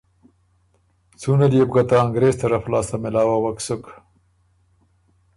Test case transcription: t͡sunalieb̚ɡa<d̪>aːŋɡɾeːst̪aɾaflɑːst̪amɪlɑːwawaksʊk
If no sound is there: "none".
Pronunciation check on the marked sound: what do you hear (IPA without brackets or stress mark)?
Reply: t̪